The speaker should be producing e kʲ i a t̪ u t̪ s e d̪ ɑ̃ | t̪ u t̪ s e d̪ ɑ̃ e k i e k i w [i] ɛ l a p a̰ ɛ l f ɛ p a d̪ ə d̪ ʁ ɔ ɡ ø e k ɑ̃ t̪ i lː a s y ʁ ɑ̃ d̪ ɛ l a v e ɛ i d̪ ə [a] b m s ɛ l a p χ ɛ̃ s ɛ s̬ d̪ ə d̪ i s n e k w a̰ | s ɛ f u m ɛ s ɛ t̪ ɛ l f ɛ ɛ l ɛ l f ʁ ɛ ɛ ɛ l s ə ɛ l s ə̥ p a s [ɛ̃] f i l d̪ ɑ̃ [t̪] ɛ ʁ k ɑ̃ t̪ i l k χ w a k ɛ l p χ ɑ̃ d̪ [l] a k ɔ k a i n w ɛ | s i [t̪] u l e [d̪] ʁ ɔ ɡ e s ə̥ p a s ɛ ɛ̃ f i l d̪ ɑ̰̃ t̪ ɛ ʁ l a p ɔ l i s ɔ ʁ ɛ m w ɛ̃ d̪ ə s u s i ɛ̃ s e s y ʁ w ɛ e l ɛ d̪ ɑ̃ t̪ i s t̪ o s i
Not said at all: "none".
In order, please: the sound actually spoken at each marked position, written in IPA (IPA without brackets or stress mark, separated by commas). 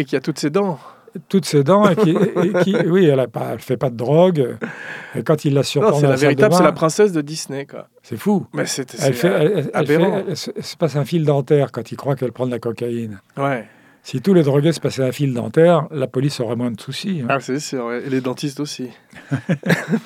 i, a, ɛ̃, t̪, l, t̪, d̪